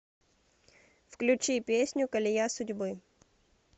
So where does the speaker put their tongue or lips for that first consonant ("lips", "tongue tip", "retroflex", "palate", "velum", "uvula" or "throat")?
lips